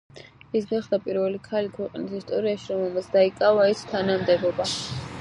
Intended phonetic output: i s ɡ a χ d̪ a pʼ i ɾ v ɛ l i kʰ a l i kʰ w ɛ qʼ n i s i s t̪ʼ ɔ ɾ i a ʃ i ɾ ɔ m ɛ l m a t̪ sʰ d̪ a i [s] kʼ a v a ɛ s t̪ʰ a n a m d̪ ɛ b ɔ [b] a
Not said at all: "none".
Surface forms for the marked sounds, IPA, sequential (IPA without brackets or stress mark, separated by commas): none, b